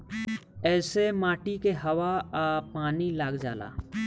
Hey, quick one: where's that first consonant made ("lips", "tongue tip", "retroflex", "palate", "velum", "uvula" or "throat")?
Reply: tongue tip